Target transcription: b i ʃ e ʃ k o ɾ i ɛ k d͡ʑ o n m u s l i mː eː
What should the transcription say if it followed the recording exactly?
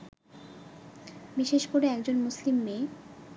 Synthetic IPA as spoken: b i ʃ e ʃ k o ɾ e ɛ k d͡ʑ o n m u s l i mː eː